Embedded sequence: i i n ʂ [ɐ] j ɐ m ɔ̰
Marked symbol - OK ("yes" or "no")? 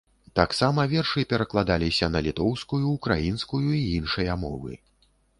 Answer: yes